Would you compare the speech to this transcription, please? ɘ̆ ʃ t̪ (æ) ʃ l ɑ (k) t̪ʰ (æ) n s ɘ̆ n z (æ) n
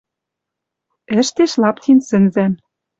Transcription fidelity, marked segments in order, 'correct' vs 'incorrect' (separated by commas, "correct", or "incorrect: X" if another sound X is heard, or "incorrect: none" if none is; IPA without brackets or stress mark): incorrect: e, incorrect: p, incorrect: i, correct